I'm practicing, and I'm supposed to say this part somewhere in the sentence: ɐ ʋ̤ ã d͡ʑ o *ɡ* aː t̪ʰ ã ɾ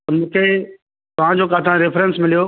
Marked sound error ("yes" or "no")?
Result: yes